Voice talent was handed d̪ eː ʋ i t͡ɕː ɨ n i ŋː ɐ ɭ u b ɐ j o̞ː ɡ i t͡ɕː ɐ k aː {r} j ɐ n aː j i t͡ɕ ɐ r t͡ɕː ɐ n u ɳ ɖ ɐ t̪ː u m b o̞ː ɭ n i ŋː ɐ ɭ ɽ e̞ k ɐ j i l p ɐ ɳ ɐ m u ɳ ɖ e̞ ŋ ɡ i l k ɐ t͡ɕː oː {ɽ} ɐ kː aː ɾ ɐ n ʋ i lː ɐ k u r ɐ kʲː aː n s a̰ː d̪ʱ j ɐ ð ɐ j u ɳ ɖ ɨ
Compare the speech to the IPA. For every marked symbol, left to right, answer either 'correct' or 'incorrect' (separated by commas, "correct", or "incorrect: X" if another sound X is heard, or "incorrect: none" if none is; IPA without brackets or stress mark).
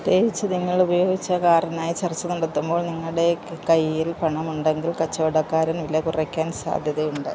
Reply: correct, correct